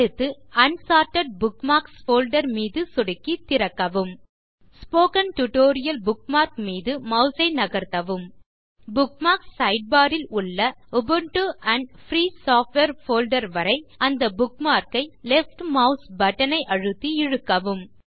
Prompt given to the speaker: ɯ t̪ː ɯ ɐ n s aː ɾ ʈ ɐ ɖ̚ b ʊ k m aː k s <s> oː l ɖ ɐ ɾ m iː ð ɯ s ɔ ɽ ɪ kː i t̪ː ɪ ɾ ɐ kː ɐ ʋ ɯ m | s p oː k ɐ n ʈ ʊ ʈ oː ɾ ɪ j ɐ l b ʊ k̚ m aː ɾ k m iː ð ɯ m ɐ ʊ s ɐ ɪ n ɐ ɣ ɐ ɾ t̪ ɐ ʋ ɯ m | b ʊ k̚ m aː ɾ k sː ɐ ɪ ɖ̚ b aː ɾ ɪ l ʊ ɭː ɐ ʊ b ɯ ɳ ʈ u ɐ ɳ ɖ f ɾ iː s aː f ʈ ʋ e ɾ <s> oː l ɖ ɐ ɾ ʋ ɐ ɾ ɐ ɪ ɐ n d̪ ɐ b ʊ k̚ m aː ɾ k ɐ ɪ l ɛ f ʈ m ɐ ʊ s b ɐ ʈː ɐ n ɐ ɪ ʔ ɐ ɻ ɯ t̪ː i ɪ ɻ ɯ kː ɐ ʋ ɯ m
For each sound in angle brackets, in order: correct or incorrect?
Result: incorrect, incorrect

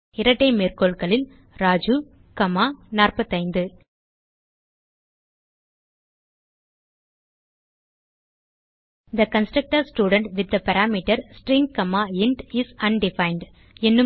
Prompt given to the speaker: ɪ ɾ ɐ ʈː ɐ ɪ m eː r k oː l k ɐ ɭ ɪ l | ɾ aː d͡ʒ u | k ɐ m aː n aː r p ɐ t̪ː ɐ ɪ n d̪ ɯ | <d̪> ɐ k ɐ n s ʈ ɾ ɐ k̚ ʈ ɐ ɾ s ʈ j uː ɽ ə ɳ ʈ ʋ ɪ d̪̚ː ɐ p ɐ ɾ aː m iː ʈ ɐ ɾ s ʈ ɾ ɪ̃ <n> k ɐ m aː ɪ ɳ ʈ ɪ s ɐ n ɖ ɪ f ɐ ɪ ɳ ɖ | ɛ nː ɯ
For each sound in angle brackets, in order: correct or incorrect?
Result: correct, incorrect

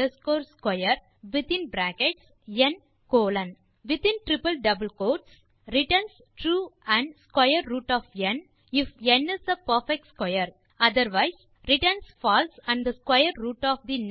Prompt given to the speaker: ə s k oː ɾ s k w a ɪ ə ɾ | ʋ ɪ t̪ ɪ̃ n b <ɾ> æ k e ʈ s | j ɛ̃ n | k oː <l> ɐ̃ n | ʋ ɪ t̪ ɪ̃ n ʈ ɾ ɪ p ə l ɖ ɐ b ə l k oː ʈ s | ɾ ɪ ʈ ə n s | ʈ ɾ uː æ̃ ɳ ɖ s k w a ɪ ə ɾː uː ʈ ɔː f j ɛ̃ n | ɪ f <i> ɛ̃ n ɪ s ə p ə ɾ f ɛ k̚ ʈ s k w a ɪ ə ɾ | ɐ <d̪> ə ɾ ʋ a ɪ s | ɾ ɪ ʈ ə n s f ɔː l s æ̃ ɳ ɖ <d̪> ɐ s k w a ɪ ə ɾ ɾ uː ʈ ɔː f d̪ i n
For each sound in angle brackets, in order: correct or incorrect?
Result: correct, correct, incorrect, correct, correct

